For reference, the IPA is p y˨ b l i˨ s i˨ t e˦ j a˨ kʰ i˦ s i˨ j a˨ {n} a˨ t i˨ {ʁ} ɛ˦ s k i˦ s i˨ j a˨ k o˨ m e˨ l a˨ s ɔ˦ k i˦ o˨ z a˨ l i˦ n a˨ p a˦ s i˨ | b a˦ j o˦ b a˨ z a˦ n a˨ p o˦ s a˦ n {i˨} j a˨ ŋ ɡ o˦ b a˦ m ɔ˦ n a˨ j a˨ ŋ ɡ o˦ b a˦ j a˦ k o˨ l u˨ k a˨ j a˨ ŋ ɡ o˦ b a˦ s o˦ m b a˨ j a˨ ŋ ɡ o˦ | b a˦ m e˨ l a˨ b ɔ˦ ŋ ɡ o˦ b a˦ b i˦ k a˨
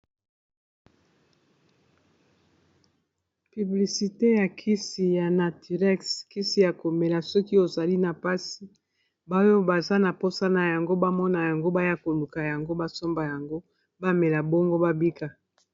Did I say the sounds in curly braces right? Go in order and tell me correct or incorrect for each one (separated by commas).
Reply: correct, correct, incorrect